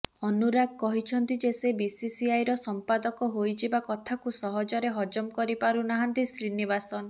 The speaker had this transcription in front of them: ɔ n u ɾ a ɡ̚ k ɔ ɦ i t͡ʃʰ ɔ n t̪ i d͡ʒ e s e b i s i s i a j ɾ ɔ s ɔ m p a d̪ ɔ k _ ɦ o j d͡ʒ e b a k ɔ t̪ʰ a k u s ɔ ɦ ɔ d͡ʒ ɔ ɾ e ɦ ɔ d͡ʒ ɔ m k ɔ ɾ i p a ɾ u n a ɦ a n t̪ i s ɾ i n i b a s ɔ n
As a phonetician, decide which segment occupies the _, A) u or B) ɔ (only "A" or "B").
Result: B